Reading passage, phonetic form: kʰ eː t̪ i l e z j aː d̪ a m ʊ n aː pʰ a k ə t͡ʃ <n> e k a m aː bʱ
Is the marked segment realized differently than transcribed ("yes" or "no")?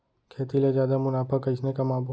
no